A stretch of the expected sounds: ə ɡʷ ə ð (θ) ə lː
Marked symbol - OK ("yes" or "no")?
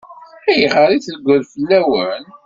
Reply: no